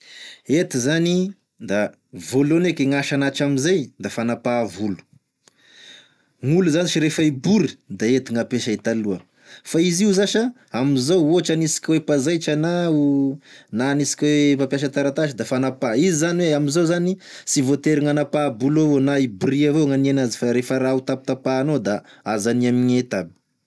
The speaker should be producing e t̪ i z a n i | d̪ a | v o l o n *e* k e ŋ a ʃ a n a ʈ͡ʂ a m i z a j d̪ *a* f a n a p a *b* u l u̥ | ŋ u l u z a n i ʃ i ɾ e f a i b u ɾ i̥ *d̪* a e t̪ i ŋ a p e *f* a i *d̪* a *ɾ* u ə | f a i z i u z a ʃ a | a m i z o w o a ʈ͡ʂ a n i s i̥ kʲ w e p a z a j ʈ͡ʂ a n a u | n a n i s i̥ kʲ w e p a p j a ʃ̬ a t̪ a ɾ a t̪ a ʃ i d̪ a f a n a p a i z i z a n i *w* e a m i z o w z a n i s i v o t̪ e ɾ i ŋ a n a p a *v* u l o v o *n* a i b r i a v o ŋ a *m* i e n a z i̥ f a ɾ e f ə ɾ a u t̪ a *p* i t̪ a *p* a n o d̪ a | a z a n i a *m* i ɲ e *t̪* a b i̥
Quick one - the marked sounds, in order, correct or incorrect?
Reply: correct, correct, incorrect, correct, incorrect, incorrect, incorrect, correct, incorrect, correct, incorrect, correct, correct, correct, correct

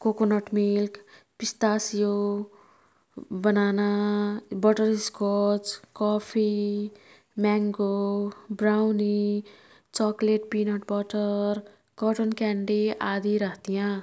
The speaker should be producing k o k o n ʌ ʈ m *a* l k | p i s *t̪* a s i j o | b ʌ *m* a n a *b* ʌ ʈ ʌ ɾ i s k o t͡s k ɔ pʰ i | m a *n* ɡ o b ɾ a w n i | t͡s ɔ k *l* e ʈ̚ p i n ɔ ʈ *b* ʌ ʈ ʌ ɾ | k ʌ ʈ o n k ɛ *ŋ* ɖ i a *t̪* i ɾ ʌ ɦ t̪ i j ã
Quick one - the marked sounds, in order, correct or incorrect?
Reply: incorrect, correct, incorrect, correct, incorrect, correct, correct, incorrect, incorrect

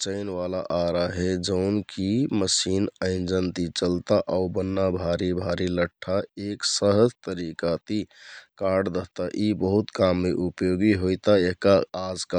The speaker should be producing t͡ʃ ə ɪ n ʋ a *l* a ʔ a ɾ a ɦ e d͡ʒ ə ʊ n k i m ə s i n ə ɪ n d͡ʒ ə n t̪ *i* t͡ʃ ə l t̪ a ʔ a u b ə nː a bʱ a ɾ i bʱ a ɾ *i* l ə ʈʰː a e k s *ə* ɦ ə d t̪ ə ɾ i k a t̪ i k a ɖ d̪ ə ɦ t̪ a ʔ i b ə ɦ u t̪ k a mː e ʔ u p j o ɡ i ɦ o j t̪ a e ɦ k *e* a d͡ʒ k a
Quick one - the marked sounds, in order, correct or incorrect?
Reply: correct, correct, correct, correct, incorrect

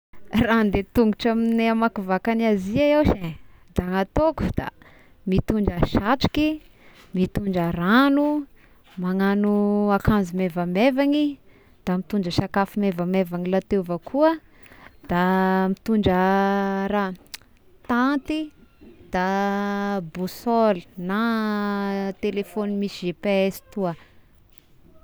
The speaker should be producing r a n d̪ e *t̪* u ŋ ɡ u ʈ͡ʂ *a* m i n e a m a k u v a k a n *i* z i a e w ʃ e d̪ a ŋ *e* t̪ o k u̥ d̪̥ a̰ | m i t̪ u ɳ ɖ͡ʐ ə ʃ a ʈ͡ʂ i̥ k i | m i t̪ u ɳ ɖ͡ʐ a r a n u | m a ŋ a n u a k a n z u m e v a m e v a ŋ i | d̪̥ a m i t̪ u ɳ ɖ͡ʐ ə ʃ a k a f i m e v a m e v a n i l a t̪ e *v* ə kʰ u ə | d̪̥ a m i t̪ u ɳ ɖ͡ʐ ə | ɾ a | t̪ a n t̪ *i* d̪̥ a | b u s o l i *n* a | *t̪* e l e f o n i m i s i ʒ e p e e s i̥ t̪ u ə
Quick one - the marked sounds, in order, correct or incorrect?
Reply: correct, correct, incorrect, incorrect, correct, correct, correct, correct

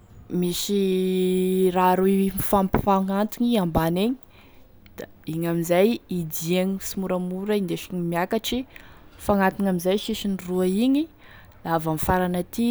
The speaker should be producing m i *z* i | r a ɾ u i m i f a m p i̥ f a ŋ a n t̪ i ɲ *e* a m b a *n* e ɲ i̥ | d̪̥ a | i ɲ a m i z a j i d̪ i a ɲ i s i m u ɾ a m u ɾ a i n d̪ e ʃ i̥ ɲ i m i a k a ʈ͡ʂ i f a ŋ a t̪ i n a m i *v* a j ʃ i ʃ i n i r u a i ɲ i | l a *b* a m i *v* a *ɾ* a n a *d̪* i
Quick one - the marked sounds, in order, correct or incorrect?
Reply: incorrect, incorrect, correct, incorrect, incorrect, incorrect, correct, incorrect

